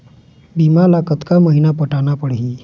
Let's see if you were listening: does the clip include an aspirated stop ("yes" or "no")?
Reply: no